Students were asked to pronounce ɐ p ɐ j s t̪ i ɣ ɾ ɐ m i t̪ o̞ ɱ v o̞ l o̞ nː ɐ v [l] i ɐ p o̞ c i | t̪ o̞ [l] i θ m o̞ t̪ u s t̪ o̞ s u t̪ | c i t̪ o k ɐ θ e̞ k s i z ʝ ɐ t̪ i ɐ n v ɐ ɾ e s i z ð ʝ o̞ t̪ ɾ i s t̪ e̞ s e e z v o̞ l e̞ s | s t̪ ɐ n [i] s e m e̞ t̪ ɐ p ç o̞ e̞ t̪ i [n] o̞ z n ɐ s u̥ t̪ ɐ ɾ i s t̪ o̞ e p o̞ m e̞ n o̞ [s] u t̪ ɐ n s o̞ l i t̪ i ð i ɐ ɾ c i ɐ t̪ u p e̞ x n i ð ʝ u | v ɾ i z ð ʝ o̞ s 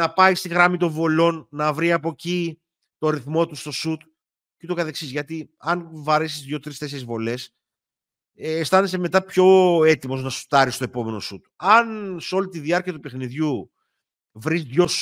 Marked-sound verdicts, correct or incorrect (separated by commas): incorrect, incorrect, incorrect, incorrect, correct